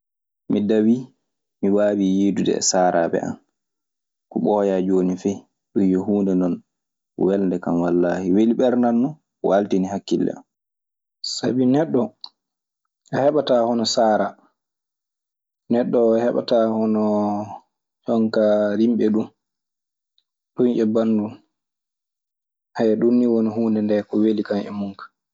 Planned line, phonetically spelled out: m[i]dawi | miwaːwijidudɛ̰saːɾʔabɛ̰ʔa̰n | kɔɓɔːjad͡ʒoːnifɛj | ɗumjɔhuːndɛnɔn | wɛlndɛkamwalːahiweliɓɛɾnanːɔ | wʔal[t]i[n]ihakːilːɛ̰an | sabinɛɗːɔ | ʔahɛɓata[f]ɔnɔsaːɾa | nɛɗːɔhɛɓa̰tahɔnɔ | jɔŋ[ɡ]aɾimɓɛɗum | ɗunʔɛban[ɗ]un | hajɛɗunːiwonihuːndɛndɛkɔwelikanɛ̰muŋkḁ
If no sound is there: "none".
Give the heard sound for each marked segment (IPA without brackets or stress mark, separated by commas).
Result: i, t, n, h, k, d